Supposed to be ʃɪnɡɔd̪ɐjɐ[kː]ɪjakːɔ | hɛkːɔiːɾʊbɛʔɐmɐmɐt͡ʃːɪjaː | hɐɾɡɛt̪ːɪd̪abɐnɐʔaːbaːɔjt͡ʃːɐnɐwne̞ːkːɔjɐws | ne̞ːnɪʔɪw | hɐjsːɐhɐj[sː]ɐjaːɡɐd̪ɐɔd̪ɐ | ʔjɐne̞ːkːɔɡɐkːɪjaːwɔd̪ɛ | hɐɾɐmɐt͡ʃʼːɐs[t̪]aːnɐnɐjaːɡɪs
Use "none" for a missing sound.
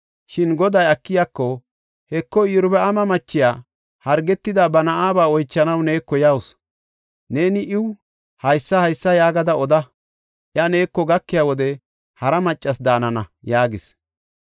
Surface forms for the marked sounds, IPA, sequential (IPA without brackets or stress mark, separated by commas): kː, sː, d̪